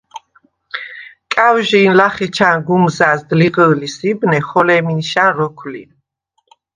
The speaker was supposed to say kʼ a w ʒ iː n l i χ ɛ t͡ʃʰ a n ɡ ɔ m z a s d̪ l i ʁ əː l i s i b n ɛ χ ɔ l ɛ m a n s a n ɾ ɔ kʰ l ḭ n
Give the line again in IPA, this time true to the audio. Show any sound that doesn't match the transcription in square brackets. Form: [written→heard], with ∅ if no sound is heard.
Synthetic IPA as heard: kʼ a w ʒ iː n l [i→a] χ ɛ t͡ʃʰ a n ɡ [ɔ→u] m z a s d̪ l i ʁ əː l i s i b n ɛ χ ɔ l ɛ m [a→i] n [s→ʃ] a n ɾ ɔ kʰ l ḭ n